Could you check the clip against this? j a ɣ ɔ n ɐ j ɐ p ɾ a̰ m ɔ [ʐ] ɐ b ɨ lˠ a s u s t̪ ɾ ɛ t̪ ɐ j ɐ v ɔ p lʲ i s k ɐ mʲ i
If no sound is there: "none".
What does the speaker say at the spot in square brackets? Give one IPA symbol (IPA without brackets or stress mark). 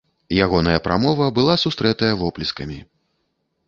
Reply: v